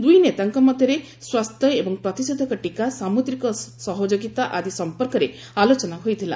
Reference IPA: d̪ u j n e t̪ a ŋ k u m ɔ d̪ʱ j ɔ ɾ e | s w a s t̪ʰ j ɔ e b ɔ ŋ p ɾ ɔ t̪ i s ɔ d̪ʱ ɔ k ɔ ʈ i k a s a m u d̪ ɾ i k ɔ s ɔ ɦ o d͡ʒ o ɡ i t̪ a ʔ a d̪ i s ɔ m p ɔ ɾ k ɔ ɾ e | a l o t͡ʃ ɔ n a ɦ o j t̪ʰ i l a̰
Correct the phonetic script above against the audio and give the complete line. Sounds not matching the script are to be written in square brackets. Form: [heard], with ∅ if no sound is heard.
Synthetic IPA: d̪ u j n e t̪ a ŋ k [ɔ] m ɔ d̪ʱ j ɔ ɾ e | s w a s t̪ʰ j ɔ e b ɔ ŋ p ɾ ɔ t̪ i s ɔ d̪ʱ ɔ k ɔ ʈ i k a s a m u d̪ ɾ i k ɔ s ɔ ɦ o d͡ʒ o ɡ i t̪ a ʔ a d̪ i s ɔ m p ɔ ɾ k ɔ ɾ e | a l o t͡ʃ ɔ n a ɦ o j t̪ʰ i l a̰